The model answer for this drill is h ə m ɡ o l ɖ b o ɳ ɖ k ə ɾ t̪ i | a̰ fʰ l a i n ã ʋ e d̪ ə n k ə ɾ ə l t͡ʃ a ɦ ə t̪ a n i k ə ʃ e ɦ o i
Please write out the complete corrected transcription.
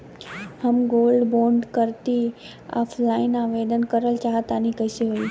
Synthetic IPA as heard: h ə m ɡ o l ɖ b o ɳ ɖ k ə ɾ t̪ i | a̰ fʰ l a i n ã ʋ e d̪ ə n k ə ɾ ə l t͡ʃ a ɦ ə t̪ a n i k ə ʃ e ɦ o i